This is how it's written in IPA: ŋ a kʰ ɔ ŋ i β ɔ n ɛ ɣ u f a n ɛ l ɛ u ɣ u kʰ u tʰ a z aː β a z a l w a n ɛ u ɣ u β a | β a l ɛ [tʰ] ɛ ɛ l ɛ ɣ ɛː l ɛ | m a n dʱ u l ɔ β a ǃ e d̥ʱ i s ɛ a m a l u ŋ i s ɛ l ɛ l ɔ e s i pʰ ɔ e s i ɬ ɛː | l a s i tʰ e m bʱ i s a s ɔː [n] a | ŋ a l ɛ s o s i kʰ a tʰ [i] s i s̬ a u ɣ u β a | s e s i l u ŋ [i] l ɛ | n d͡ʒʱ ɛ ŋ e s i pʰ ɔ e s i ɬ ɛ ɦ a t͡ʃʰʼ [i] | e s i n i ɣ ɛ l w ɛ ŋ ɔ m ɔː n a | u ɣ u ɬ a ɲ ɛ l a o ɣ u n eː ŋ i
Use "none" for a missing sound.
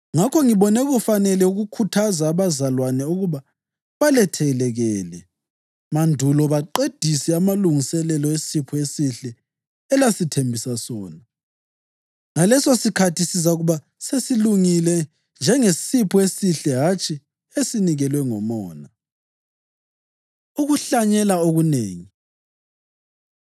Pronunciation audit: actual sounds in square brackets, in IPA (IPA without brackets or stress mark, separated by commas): tʰ, n, i, i, i